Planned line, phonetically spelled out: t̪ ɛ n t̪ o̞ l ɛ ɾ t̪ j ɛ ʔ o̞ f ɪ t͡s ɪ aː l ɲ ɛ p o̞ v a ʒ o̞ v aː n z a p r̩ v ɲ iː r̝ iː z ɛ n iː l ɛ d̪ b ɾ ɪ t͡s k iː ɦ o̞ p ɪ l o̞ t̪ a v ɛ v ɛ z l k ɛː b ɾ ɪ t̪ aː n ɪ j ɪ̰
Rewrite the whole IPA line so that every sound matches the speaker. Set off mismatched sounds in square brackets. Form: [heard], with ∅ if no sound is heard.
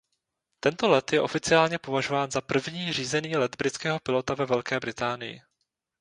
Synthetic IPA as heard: t̪ ɛ n t̪ o̞ l ɛ [∅] t̪ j ɛ ʔ o̞ f ɪ t͡s ɪ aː l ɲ ɛ p o̞ v a ʒ o̞ v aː n z a p r̩ v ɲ iː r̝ iː z ɛ n iː l ɛ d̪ b ɾ ɪ t͡s k [ɛː] ɦ o̞ p ɪ l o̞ t̪ a v ɛ v ɛ [∅] l k ɛː b ɾ ɪ t̪ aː n ɪ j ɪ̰